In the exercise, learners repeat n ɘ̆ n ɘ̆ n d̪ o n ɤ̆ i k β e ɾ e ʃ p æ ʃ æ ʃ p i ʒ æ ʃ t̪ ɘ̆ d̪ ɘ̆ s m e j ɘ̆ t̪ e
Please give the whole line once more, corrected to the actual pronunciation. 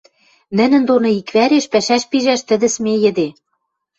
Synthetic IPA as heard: n ɘ̆ n ɘ̆ n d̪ o n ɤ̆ i k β æ ɾ e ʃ p æ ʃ æ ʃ p i ʒ æ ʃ t̪ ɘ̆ d̪ ɘ̆ s m e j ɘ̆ d̪ e